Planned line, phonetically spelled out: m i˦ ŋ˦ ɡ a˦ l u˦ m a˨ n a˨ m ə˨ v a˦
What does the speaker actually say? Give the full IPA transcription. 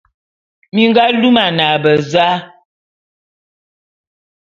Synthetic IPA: m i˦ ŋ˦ ɡ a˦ l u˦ m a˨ n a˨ b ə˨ z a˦